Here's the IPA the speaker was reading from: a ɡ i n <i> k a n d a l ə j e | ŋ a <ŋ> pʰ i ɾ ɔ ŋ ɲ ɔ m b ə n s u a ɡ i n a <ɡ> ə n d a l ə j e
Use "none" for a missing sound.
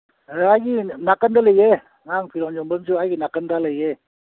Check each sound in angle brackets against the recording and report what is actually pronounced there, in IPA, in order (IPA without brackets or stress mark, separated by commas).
a, ŋ, k